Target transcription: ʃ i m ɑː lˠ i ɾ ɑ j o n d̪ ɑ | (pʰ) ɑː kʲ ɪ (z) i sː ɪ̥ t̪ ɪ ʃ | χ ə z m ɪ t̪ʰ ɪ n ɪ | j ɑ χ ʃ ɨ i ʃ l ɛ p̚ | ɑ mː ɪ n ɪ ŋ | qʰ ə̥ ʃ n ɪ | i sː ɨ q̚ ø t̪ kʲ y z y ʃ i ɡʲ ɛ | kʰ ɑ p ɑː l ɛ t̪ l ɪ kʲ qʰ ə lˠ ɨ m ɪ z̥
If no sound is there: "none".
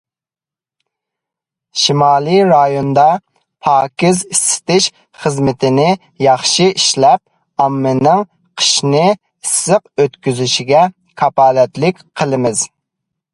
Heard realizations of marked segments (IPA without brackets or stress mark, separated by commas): pʰ, z